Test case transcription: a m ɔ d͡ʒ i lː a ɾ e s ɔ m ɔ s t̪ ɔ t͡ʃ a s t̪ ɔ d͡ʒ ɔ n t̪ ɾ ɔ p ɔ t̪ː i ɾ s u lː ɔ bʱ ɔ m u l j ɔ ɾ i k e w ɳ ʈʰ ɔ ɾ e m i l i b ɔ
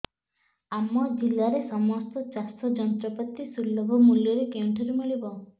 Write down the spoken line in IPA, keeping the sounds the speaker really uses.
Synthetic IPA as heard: a m ɔ d͡ʒ i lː a ɾ e s ɔ m ɔ s t̪ ɔ t͡ʃ a s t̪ ɔ d͡ʒ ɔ n t̪ ɾ ɔ p ɔ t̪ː i s u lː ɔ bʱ ɔ m u l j ɔ ɾ e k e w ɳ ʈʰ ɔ ɾ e m i ɭ i b ɔ